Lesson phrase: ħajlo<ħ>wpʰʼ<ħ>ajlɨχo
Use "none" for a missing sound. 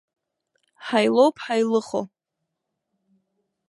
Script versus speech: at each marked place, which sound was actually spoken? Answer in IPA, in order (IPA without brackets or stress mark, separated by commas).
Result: none, ħ